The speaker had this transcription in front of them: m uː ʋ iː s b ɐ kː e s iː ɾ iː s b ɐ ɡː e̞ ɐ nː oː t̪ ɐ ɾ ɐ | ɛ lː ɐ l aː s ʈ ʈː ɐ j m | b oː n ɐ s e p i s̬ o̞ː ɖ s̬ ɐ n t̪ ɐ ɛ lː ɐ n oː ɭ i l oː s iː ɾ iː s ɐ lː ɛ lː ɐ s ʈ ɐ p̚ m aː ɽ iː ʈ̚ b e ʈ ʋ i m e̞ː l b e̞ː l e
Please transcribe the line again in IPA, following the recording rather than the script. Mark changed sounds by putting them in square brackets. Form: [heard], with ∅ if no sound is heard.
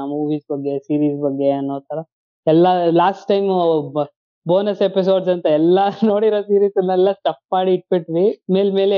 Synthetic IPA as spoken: m uː ʋ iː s b ɐ [ɡː] e s iː ɾ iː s b ɐ ɡː e̞ ɐ nː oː t̪ ɐ ɾ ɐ | ɛ lː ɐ l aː s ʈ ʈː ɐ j m | b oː n ɐ s e p i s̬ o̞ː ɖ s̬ ɐ n t̪ ɐ ɛ lː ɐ n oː [ɽ] i [ɾ] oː s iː ɾ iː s ɐ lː ɛ lː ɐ s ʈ ɐ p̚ m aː ɽ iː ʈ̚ b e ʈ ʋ i m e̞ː l [m] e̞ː l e